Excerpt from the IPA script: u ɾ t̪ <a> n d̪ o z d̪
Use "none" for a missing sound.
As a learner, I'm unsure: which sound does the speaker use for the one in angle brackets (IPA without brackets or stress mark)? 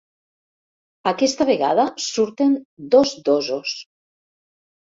e